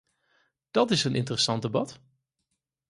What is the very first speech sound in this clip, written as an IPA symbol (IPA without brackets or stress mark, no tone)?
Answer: d̥